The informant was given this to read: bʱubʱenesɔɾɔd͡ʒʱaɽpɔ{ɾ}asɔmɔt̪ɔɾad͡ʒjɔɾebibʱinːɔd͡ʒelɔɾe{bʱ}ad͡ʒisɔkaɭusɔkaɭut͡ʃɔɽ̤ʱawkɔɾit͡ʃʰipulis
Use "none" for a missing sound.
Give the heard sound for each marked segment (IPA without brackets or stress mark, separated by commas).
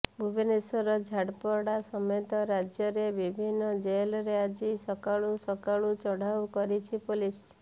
ɽ, none